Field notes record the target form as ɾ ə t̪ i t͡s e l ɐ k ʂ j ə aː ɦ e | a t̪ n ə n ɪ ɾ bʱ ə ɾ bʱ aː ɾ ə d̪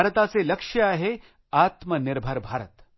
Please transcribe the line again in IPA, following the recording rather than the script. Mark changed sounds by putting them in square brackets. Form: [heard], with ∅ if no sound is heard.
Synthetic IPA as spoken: ɾ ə t̪ [a] t͡s e l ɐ k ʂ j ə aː ɦ e | a t̪ [m] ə n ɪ ɾ bʱ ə ɾ bʱ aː ɾ ə [t̪]